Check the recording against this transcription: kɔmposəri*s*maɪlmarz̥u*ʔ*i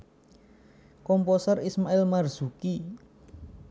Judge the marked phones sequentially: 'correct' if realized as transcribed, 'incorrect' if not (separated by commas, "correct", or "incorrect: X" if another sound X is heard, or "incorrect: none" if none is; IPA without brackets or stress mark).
correct, incorrect: k